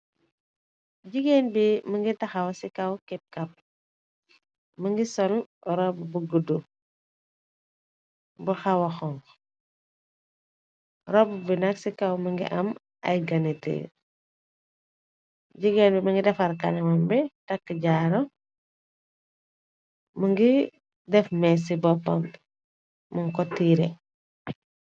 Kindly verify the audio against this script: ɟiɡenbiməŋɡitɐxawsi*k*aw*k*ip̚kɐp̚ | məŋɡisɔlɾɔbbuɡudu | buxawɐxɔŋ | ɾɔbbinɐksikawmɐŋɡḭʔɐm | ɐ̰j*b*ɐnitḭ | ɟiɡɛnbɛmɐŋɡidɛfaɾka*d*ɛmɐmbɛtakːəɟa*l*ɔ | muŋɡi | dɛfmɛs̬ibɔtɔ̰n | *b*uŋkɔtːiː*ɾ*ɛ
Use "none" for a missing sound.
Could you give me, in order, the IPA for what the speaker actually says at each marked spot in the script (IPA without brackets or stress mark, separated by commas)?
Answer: k, k, ɡ, n, ɾ, m, ɾ